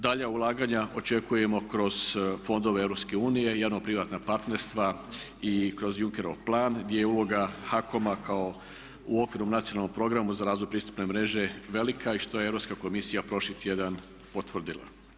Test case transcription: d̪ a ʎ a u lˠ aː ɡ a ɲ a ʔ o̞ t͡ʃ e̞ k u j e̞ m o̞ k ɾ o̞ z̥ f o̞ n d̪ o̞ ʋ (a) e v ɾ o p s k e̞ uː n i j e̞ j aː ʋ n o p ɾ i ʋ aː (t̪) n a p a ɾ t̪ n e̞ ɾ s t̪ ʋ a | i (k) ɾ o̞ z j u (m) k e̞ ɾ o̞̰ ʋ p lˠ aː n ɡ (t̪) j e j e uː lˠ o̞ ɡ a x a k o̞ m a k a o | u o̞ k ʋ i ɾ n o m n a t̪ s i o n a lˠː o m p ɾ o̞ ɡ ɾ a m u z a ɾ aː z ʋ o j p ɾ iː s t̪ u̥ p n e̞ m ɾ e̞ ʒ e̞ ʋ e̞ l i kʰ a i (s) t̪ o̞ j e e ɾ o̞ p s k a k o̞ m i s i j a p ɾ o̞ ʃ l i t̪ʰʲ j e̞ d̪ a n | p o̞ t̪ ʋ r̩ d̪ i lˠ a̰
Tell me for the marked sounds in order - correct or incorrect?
incorrect, correct, correct, incorrect, incorrect, incorrect

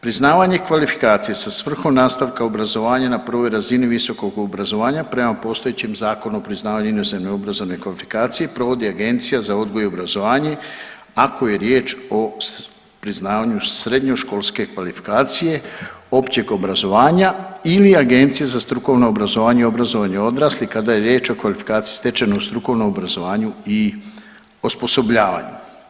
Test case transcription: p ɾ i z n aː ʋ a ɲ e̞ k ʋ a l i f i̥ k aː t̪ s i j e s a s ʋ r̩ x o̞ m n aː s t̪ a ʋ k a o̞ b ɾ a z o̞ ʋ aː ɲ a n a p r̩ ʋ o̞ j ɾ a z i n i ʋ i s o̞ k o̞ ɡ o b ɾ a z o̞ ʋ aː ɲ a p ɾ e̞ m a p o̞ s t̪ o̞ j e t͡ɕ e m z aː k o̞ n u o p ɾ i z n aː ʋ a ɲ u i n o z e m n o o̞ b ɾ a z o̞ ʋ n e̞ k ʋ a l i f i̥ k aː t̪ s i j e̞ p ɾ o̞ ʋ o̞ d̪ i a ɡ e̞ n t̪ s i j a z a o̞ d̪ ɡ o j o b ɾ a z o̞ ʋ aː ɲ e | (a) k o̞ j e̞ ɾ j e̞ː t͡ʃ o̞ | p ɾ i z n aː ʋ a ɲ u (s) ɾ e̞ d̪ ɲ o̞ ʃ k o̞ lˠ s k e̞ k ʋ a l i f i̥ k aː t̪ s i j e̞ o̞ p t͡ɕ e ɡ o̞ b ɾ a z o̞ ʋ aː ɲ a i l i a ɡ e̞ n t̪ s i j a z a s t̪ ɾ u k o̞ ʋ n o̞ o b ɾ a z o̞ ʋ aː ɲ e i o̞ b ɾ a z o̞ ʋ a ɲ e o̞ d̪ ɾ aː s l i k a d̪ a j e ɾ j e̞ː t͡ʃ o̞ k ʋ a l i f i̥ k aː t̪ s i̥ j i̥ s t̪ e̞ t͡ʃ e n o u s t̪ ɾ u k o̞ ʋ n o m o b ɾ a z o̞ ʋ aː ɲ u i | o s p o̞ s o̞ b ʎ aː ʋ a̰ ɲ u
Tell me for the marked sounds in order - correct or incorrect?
correct, correct

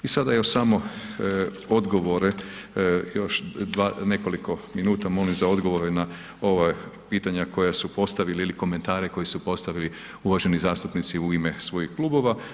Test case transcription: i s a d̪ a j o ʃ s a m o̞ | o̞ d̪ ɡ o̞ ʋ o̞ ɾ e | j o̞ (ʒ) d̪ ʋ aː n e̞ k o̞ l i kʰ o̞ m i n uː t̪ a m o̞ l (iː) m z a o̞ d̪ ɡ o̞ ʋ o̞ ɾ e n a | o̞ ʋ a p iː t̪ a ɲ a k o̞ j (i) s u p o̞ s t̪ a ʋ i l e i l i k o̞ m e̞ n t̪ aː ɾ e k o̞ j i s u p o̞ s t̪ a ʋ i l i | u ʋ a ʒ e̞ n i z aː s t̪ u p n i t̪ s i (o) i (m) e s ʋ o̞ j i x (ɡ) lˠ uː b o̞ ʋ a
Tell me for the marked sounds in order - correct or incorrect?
incorrect, incorrect, incorrect, incorrect, correct, incorrect

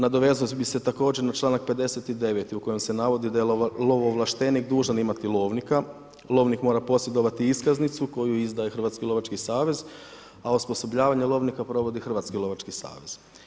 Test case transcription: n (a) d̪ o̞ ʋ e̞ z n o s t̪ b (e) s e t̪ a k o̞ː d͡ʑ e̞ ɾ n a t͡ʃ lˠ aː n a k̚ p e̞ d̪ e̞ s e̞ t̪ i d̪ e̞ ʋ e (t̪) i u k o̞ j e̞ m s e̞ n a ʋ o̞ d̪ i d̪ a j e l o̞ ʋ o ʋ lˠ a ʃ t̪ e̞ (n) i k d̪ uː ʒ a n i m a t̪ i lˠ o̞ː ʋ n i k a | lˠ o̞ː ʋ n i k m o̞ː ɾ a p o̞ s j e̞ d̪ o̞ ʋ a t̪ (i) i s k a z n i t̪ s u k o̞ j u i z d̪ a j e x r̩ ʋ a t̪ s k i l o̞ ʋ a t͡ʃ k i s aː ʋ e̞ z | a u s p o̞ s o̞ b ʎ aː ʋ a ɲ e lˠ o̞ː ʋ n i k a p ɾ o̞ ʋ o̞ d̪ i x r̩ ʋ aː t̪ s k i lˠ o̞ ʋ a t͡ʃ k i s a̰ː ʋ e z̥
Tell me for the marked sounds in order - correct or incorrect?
correct, incorrect, correct, correct, correct

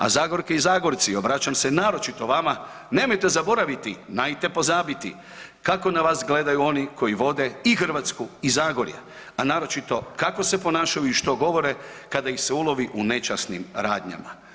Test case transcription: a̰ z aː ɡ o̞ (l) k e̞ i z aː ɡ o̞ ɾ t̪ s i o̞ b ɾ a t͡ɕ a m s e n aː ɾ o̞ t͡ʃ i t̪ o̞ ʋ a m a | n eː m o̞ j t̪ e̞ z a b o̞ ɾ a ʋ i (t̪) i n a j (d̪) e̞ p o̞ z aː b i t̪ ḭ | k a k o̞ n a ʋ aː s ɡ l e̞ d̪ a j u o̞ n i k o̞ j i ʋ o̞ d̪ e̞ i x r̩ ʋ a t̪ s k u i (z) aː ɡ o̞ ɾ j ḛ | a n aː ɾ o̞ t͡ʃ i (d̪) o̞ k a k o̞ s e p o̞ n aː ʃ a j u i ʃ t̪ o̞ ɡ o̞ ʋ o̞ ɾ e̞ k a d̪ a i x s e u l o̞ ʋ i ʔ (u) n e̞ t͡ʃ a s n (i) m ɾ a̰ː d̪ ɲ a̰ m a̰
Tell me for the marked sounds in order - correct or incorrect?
incorrect, correct, incorrect, correct, incorrect, correct, correct

